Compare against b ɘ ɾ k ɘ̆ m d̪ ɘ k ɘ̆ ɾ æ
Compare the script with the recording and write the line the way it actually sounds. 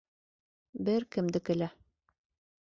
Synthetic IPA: b ɘ ɾ k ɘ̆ m d̪ ɘ k ɘ̆ l æ